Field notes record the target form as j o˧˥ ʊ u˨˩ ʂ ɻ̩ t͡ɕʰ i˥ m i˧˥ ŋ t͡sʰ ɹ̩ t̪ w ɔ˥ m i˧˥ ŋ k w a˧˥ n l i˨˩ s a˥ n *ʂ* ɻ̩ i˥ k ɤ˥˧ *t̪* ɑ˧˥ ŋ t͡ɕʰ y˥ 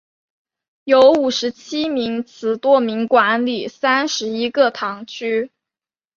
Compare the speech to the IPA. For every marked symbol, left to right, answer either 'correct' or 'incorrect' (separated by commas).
correct, incorrect